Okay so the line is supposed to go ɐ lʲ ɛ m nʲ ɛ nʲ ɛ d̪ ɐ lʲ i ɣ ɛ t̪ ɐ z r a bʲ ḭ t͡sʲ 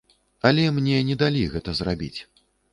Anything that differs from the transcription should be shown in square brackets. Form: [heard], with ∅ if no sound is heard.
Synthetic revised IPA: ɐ lʲ ɛ m nʲ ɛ nʲ ɛ d̪ [a] lʲ i ɣ ɛ t̪ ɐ z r a bʲ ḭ t͡sʲ

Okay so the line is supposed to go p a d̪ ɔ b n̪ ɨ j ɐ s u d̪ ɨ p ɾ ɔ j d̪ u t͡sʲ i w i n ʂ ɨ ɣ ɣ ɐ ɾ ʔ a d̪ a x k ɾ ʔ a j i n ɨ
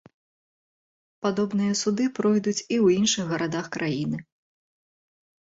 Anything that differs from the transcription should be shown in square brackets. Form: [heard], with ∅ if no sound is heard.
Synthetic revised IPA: p a d̪ ɔ b n̪ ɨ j ɐ s u d̪ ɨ p ɾ ɔ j d̪ u t͡sʲ i w i n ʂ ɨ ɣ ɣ ɐ ɾ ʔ a d̪ a x k ɾ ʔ a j i n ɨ

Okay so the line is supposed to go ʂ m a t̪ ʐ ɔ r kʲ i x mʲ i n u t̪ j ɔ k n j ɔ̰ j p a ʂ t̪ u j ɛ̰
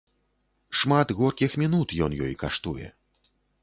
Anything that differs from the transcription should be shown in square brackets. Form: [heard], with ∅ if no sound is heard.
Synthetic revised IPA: ʂ m a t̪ [ɣ] ɔ r kʲ i x mʲ i n u t̪ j ɔ [∅] n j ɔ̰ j [k] a ʂ t̪ u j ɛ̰

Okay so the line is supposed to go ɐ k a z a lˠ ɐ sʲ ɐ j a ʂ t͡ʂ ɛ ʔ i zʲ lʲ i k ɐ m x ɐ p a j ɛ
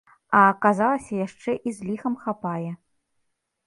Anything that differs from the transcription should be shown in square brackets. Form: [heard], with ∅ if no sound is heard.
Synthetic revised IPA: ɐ k a z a lˠ ɐ sʲ ɐ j a ʂ t͡ʂ ɛ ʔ i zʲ lʲ i [x] ɐ m x [a] p a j ɛ

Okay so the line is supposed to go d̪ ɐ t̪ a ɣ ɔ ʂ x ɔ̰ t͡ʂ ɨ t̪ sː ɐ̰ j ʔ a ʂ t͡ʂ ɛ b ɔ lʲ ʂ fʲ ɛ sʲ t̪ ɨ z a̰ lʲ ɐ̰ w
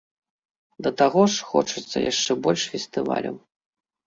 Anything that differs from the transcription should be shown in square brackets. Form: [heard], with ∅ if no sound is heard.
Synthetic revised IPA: d̪ ɐ t̪ a ɣ ɔ ʂ x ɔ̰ t͡ʂ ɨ t̪ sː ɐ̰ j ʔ a ʂ t͡ʂ ɛ b ɔ lʲ ʂ fʲ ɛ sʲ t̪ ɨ [v] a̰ lʲ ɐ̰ w

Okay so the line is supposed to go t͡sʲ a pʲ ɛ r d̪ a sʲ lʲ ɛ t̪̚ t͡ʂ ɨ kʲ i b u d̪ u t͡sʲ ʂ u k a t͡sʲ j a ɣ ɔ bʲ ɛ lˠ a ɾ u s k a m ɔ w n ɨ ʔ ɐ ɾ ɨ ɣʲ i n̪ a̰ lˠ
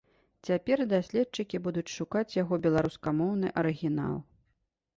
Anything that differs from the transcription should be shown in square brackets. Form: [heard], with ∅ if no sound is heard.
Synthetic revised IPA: t͡sʲ a pʲ ɛ r d̪ a sʲ lʲ ɛ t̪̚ t͡ʂ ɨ kʲ i b u d̪ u t͡sʲ ʂ u k a t͡sʲ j a ɣ ɔ bʲ ɛ lˠ a ɾ u s k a m ɔ w n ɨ ʔ ɐ ɾ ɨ ɣʲ i n̪ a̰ lˠ

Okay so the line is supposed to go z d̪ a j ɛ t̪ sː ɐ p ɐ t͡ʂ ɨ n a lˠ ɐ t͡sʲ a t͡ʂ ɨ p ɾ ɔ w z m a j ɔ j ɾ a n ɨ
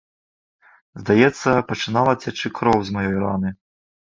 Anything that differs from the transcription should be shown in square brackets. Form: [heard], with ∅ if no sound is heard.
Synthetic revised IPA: z d̪ a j ɛ t̪ sː ɐ p ɐ t͡ʂ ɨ n a lˠ ɐ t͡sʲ a t͡ʂ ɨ [k] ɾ ɔ w z m a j ɔ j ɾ a n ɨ

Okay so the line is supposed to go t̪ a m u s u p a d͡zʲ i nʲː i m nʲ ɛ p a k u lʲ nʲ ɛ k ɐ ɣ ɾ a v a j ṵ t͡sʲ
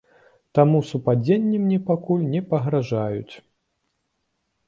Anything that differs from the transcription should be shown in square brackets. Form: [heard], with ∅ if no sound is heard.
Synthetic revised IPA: t̪ a m u s u p a d͡zʲ [e] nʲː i m nʲ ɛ p a k u lʲ nʲ ɛ [p] ɐ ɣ ɾ a [ʐ] a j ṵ t͡sʲ

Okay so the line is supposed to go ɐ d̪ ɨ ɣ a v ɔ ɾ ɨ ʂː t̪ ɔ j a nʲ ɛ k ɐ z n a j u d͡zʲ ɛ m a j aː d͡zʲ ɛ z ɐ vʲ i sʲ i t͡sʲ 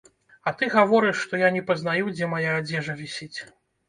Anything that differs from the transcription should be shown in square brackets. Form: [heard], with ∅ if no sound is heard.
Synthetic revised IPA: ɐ [t̪] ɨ ɣ a v ɔ ɾ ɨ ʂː t̪ ɔ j a nʲ ɛ [p] ɐ z n a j u d͡zʲ ɛ m a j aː d͡zʲ ɛ [ʐ] ɐ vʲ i sʲ i t͡sʲ

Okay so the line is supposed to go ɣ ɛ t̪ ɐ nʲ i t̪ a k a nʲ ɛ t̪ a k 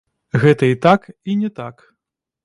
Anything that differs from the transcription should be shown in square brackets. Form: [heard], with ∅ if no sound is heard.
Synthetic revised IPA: ɣ ɛ t̪ ɐ [∅] i t̪ a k [i] nʲ ɛ t̪ a k

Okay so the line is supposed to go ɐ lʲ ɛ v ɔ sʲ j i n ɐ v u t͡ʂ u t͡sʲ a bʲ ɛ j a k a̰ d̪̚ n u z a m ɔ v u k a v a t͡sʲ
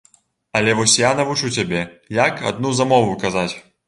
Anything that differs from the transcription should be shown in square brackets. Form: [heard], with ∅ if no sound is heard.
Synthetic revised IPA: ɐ lʲ ɛ v ɔ sʲ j [a] n ɐ v u t͡ʂ u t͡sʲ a bʲ ɛ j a k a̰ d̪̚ n u z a m ɔ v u k a [z] a t͡sʲ

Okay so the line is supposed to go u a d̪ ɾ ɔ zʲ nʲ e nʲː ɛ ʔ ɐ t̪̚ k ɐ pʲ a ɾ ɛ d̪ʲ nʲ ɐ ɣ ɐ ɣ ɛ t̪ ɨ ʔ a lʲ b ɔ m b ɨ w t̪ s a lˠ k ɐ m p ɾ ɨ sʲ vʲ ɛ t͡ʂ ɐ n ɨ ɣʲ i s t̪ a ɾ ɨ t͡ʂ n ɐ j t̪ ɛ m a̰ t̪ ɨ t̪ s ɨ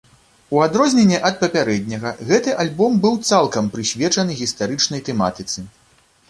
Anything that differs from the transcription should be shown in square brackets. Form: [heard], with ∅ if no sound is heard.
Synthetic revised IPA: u a d̪ ɾ ɔ zʲ nʲ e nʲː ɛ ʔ ɐ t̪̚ [p] ɐ pʲ a ɾ ɛ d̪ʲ nʲ ɐ ɣ ɐ ɣ ɛ t̪ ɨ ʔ a lʲ b ɔ m b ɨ w t̪ s a lˠ k ɐ m p ɾ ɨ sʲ vʲ ɛ t͡ʂ ɐ n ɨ ɣʲ i s t̪ a ɾ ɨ t͡ʂ n ɐ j t̪ ɛ m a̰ t̪ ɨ t̪ s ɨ

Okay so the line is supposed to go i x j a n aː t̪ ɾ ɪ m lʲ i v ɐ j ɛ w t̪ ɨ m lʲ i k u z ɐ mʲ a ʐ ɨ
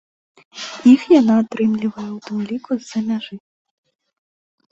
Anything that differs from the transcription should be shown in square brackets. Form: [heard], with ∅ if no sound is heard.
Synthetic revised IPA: i x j a n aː t̪ ɾ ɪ m lʲ i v ɐ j ɛ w t̪ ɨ m lʲ i k u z ɐ mʲ a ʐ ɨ

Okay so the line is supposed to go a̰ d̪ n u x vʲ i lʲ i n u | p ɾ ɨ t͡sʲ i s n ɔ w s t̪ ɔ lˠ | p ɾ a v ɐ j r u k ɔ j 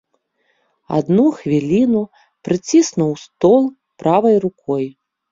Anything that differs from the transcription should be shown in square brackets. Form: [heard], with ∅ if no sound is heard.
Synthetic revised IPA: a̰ d̪ n u x vʲ i lʲ i n u | p ɾ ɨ t͡sʲ i s n [u] w s t̪ ɔ lˠ | p ɾ a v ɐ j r u k ɔ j

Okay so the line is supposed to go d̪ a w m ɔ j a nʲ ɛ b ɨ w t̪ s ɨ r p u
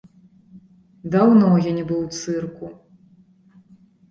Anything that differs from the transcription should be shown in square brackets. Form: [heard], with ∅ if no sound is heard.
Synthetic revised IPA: d̪ a w [n] ɔ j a nʲ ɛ b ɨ w t̪ s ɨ r [k] u

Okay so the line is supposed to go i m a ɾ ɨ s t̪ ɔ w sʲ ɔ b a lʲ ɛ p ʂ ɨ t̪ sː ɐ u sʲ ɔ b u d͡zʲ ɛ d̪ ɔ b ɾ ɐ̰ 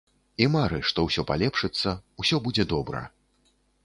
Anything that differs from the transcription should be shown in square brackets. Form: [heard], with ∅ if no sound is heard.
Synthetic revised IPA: i m a ɾ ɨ [ʂ] t̪ ɔ w sʲ ɔ [p] a lʲ ɛ p ʂ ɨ t̪ sː ɐ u sʲ ɔ b u d͡zʲ ɛ d̪ ɔ b ɾ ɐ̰

